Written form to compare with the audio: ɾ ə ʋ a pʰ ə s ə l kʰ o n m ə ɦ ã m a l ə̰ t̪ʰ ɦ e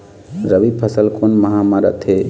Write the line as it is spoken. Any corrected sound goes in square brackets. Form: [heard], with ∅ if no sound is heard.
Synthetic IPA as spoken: ɾ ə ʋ [i] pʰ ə s ə l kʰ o n m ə ɦ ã m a [ɾ] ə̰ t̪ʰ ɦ e